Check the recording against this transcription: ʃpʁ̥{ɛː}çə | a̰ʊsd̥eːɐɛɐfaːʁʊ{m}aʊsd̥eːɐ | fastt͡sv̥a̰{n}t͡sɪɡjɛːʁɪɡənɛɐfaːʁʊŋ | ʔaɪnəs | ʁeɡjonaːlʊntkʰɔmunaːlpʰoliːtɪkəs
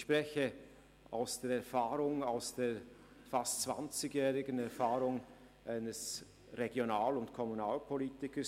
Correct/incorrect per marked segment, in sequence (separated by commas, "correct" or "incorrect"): incorrect, incorrect, correct